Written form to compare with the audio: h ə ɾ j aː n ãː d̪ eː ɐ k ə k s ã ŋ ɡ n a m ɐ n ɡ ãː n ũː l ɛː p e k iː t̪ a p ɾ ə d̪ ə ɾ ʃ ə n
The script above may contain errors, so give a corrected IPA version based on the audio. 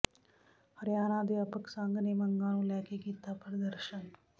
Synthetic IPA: h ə ɾ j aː n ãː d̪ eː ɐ p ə k s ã ŋ ɡ n e m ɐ ŋ ɡ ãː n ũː l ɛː k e k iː t̪ a p ɾ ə d̪ ə ɾ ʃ ə n